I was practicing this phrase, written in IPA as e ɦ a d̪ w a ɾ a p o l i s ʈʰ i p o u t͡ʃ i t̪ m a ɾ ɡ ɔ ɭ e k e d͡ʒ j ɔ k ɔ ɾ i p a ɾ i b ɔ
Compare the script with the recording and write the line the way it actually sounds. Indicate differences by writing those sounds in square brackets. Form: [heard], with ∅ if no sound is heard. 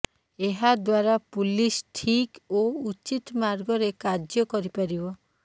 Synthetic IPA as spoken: e ɦ a d̪ w a ɾ a p [u] l i s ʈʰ i [k] o u t͡ʃ i t̪ m a ɾ ɡ ɔ [ɾ] e k [a] d͡ʒ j ɔ k ɔ ɾ i p a ɾ i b ɔ